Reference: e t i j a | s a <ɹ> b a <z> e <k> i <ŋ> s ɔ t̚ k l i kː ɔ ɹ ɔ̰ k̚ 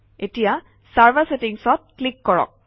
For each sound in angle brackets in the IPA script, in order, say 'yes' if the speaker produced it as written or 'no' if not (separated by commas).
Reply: yes, no, no, yes